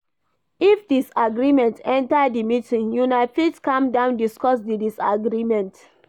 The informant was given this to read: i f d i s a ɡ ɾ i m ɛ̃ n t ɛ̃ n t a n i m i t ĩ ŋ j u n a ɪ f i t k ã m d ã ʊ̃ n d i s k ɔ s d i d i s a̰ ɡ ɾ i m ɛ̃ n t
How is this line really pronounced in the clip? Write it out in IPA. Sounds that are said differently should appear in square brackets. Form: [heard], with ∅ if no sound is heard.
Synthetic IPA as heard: i f d i s a ɡ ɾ i m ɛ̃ n t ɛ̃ n t a [d] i m i t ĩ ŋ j u n a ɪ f i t k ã m d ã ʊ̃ n d i s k ɔ s d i d i s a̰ ɡ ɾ i m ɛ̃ n t